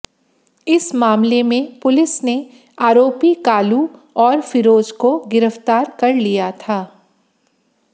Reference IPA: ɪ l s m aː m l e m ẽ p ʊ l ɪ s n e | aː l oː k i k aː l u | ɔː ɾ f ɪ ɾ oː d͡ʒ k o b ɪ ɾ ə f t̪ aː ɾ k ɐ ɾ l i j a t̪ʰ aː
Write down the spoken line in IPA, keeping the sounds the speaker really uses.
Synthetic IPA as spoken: ɪ s m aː m l e m ẽ p ʊ l ɪ s n e | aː ɾ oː p i k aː l u | ɔː ɾ f ɪ ɾ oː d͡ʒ k o ɡ ɪ ɾ ə f t̪ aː ɾ k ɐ ɾ l i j a t̪ʰ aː